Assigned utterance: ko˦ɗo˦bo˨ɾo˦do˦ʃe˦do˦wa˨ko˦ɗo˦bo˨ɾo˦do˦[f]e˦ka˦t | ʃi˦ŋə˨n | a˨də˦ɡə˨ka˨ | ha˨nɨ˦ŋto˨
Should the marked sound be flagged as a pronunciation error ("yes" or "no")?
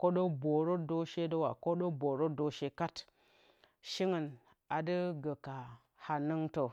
yes